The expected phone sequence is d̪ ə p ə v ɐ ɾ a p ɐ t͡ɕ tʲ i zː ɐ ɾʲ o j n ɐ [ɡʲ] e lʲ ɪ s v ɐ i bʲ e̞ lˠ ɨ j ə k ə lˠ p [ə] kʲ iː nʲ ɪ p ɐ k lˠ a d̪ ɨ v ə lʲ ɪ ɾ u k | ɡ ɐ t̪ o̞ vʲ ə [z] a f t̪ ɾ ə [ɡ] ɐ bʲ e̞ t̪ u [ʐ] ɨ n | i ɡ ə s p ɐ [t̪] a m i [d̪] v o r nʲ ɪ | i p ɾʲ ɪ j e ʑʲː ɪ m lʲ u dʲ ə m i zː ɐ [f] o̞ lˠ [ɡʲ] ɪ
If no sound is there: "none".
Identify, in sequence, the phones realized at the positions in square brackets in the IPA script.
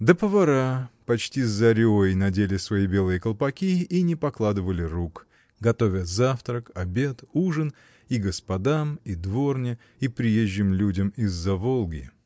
dʲ, ɐ, z, k, ʐ, d̪, d̪, v, ɡʲ

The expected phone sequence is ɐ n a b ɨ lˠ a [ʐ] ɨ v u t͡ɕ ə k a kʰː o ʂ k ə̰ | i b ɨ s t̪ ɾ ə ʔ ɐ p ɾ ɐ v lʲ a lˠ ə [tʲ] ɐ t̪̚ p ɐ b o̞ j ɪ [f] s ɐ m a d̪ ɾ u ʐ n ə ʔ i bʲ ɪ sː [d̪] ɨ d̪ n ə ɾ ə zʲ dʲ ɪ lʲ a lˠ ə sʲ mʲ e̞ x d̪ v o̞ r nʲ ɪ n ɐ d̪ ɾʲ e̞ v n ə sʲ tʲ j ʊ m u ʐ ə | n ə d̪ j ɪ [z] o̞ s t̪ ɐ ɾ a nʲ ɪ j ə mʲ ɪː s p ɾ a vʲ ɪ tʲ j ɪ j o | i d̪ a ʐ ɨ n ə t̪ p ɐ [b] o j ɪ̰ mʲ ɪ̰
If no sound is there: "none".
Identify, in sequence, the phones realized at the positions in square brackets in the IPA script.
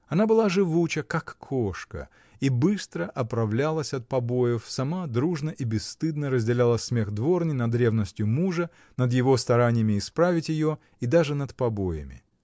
ʐ, sʲ, f, t̪, v, b

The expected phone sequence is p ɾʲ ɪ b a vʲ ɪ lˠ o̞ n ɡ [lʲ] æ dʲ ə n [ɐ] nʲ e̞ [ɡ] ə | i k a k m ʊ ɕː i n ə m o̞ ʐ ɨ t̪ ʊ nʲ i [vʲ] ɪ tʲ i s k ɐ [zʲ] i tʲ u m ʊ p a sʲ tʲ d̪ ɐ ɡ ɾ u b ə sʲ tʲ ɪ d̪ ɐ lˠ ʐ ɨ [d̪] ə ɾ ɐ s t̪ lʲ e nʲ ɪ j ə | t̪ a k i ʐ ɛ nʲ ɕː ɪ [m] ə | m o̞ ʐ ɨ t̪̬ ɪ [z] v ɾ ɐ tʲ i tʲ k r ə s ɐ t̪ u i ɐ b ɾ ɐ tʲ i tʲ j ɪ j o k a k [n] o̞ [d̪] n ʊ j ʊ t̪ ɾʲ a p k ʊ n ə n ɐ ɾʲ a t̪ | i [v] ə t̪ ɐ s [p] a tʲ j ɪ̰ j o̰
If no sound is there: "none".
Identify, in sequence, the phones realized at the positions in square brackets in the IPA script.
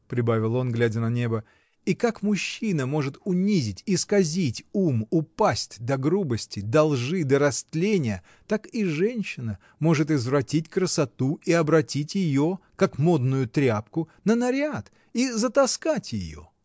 lʲ, ɐ, b, zʲ, zʲ, d̪, n, z, m, d̪, z, k

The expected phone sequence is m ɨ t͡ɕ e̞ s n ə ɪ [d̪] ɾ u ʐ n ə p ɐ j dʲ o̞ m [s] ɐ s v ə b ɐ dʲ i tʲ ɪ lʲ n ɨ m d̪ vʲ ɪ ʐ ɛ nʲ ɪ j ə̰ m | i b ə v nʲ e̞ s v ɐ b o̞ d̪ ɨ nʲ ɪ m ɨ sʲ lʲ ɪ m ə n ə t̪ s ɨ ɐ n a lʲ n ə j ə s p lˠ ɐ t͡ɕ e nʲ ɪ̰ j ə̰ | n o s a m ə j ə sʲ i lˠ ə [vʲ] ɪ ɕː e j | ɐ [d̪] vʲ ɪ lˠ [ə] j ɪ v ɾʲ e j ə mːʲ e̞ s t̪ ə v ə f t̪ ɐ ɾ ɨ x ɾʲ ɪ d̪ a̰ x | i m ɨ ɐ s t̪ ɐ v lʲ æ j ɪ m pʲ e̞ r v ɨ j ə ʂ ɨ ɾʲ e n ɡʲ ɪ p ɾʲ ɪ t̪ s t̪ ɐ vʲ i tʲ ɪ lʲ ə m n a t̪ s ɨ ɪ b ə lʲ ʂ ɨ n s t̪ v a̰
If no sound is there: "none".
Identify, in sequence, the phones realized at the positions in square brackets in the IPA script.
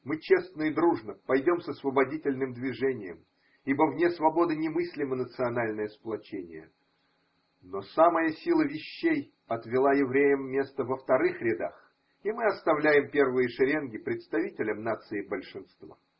d̪, s, vʲ, t̪, a

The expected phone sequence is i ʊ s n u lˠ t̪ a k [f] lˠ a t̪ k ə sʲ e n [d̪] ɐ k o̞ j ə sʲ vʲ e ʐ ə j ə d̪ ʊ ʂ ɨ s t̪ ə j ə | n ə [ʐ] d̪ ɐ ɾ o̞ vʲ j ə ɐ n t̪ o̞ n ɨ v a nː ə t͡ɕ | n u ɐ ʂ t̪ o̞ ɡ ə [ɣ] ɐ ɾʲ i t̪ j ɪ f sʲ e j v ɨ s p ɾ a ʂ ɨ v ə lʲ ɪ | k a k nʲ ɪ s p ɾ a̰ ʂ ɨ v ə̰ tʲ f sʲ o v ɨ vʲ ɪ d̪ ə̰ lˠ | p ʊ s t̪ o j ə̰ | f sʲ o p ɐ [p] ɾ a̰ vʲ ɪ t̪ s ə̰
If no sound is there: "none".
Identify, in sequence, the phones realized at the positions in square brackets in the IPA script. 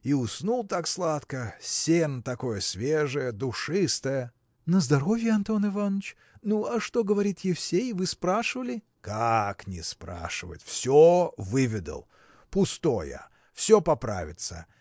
s, t̪, z, v, p

